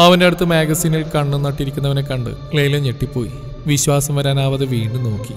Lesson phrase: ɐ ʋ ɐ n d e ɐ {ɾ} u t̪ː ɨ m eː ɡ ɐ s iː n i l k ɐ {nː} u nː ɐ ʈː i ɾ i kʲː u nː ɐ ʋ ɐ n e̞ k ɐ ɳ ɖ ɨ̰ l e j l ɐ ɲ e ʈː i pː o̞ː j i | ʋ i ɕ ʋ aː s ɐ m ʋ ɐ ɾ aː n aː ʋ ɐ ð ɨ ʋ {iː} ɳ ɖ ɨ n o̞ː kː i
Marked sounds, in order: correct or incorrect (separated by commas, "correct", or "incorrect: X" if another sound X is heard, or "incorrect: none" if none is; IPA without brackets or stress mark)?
incorrect: ɽ, incorrect: ɳː, correct